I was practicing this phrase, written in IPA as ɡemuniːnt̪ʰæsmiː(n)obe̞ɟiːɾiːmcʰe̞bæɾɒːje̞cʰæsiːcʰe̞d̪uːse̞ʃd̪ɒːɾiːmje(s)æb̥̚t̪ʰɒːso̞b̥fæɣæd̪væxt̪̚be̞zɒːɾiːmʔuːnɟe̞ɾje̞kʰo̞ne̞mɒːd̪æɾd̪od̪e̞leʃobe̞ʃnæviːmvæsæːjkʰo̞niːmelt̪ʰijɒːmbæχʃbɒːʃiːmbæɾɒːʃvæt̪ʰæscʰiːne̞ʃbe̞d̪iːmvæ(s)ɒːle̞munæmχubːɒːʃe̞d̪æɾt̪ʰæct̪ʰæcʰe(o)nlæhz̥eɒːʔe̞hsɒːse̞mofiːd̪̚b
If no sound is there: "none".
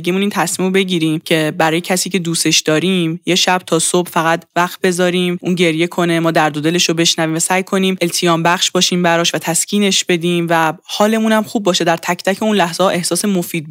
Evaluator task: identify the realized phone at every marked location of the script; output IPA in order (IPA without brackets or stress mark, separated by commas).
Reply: m, ʃ, h, u